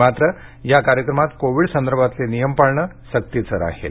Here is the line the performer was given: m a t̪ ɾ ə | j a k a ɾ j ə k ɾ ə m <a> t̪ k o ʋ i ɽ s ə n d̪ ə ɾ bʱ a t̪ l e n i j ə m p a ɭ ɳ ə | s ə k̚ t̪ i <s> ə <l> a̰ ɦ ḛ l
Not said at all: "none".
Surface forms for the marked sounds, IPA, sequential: a, t͡s, ɾ

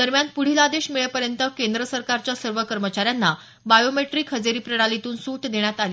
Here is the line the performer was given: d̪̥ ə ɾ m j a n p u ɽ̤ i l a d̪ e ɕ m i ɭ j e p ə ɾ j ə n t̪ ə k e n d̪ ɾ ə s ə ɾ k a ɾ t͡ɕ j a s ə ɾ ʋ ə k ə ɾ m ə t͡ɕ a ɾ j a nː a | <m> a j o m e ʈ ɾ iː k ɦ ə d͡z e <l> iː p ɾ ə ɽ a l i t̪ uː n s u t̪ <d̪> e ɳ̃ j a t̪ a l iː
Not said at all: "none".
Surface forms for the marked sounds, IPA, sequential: b, ɾ, d̪

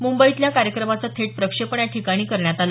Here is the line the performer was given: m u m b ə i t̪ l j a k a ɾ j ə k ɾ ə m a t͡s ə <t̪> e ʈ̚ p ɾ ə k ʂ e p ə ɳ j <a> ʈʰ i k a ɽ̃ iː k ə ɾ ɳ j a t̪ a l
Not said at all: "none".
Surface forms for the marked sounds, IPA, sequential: t̪ʰ, a

